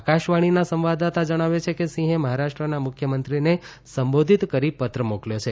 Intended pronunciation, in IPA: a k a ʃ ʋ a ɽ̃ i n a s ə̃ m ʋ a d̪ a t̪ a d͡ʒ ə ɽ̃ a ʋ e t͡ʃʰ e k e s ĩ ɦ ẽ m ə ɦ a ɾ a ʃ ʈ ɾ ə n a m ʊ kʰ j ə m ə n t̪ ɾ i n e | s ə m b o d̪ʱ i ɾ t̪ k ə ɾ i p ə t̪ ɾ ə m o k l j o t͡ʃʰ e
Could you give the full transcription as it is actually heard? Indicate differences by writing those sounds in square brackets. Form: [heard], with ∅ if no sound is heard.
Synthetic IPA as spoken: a k a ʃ ʋ a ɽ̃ i n a s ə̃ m ʋ a d̪ a t̪ a d͡ʒ ə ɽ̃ a ʋ e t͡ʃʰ e k e s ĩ ɦ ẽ m ə ɦ a ɾ a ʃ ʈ ɾ ə n a m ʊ kʰ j ə m ə n t̪ ɾ i n e | s ə m b o d̪ʱ i [∅] t̪ k ə ɾ i p ə t̪ ɾ ə m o k l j o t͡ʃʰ e